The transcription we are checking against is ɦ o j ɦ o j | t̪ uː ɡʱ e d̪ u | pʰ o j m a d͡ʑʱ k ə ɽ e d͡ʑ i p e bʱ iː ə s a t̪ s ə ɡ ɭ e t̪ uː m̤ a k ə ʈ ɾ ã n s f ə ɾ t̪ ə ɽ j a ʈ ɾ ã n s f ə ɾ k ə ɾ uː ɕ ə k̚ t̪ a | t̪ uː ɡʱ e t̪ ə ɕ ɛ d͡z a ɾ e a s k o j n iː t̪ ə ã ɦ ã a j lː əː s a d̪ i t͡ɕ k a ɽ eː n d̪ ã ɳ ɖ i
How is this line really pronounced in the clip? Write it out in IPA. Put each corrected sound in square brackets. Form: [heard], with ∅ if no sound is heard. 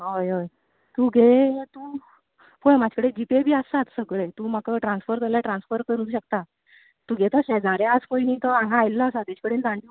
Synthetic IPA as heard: ɦ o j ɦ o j | t̪ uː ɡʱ e [t̪] u | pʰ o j m a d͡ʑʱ k ə ɽ e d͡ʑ i p e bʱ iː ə s a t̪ s ə ɡ ɭ e t̪ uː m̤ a k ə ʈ ɾ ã n s f ə ɾ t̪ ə [l] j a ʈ ɾ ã n s f ə ɾ k ə ɾ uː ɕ ə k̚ t̪ a | t̪ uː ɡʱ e t̪ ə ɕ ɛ d͡z a ɾ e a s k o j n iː t̪ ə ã ɦ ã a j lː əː s a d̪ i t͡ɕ k [ə] ɽ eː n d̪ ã ɳ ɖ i

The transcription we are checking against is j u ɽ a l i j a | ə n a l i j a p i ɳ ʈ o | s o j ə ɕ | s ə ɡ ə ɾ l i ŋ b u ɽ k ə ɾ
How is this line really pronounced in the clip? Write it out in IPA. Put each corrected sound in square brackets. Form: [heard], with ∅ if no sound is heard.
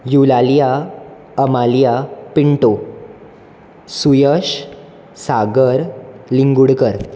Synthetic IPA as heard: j u [l] a l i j a | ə [m] a l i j a p i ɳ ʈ o | s [u] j ə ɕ | s [a] ɡ ə ɾ l i ŋ [ɡ] u ɽ k ə ɾ

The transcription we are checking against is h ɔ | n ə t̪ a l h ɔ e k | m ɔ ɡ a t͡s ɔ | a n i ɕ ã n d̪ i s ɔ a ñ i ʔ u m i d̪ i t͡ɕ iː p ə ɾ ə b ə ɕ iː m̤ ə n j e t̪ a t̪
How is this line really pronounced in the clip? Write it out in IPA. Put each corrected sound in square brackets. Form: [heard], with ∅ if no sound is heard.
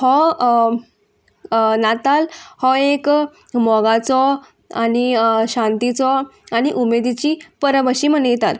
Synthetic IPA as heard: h ɔ | n [a] t̪ a l h ɔ e k | m ɔ ɡ a t͡s ɔ | a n i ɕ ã n [t̪] i [t͡s] ɔ a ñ i ʔ u m [e] d̪ i t͡ɕ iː p ə ɾ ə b ə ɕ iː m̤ ə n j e t̪ a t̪

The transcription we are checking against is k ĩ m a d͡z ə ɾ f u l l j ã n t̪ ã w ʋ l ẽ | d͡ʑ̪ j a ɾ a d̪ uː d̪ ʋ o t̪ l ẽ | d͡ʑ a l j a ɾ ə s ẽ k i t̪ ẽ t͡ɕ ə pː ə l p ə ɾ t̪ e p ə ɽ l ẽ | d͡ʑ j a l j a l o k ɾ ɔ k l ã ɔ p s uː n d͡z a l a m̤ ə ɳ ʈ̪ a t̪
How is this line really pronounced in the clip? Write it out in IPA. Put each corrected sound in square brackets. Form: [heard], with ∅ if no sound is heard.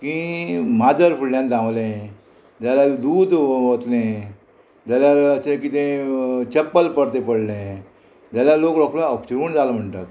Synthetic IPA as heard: k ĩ m a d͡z ə ɾ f u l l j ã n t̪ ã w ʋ l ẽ | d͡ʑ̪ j a [l] a d̪ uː d̪ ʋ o t̪ l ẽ | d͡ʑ a l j a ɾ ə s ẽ k i t̪ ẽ t͡ɕ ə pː ə l p ə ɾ t̪ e p ə ɽ l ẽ | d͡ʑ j a l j a l o k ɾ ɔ k l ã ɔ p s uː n d͡z a l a m̤ ə ɳ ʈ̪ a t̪

